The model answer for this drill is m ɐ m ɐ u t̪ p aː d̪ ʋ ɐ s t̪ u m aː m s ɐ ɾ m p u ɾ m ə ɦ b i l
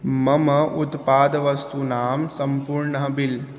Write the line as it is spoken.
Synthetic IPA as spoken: m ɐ m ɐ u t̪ p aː d̪ ʋ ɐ s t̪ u n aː m s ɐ m p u ɾ ɳ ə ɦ b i l